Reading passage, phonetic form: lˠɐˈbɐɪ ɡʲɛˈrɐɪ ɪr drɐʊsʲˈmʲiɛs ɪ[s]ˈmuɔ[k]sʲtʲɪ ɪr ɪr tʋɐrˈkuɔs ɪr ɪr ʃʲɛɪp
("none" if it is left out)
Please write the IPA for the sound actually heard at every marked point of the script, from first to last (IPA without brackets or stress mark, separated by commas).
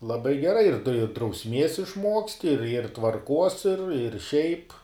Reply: ʃ, k